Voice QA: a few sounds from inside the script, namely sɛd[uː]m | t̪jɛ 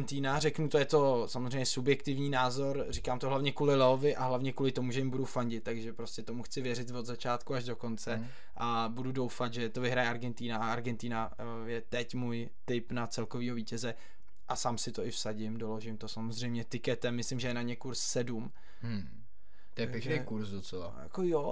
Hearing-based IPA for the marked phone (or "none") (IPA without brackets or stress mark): u